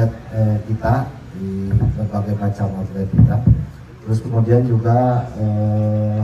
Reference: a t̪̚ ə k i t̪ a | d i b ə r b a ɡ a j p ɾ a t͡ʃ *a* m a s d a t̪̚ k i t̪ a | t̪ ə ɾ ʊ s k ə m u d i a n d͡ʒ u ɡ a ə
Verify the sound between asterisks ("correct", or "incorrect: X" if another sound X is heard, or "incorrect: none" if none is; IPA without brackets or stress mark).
correct